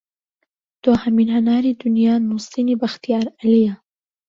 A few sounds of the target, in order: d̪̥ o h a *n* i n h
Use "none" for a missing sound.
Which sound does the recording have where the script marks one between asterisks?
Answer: m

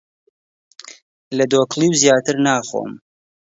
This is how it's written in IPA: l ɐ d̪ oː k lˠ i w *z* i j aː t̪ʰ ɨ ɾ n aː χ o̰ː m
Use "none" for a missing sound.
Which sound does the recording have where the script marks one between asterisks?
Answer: z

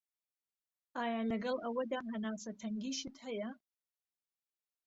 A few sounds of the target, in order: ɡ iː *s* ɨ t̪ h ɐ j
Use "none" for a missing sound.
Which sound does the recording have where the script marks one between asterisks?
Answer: ʃ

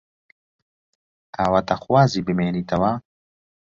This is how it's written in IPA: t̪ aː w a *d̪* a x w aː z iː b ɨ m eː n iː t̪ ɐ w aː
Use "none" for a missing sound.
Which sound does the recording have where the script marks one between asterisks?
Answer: t̪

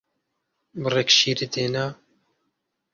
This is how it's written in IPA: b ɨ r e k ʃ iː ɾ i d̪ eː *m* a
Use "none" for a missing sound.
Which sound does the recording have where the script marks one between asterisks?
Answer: n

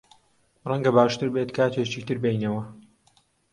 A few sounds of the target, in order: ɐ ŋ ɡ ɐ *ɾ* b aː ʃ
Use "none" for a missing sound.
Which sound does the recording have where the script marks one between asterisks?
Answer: none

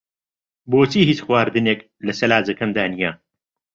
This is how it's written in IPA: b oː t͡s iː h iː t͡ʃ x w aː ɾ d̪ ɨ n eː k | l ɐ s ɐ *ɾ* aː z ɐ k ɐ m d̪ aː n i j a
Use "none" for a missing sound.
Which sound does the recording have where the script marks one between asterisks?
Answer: l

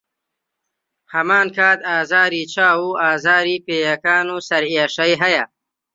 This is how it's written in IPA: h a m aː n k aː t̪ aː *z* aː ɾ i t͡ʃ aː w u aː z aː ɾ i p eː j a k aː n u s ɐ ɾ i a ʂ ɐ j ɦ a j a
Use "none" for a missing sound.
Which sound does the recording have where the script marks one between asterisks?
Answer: z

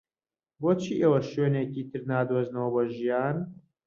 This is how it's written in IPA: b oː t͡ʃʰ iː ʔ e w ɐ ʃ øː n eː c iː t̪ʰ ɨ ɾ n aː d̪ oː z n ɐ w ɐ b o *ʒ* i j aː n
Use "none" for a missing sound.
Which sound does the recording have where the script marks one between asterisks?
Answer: ʒ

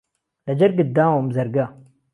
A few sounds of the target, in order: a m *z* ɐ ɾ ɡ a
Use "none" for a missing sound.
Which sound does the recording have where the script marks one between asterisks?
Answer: z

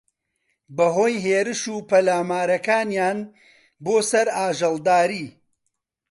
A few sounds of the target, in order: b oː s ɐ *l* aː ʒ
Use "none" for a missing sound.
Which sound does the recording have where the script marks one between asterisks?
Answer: ɾ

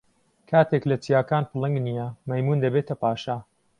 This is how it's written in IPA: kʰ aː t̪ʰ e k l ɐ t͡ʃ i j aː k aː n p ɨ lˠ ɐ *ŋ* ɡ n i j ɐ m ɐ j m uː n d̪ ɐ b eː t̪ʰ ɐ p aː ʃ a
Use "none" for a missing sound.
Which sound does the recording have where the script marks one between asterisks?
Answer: ŋ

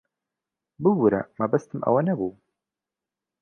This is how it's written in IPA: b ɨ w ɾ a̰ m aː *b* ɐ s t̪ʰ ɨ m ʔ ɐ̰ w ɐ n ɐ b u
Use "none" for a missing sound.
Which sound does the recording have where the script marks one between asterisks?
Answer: b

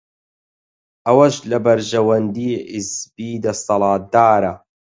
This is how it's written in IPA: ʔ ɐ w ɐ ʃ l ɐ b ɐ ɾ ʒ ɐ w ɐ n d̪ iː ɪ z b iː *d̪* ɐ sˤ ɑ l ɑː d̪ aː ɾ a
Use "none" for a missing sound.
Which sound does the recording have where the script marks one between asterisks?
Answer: d̪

